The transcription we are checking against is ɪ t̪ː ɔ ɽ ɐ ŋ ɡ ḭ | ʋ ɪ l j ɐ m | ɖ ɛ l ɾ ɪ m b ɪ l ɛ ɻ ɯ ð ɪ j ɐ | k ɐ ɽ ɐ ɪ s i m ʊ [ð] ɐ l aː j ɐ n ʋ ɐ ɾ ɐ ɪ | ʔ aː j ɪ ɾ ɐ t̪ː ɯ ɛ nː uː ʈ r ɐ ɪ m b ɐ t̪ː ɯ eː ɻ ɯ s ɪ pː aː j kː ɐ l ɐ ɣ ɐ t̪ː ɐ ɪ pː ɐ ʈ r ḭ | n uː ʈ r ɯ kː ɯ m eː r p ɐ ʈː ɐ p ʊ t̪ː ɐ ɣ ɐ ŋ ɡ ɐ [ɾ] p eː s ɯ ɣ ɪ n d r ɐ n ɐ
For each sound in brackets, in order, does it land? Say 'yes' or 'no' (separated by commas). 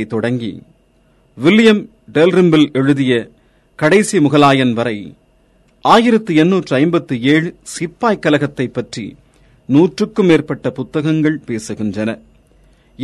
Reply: no, no